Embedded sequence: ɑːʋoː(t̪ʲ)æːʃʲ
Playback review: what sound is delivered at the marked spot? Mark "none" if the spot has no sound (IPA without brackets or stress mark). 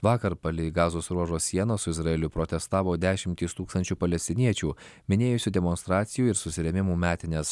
d̪ʲ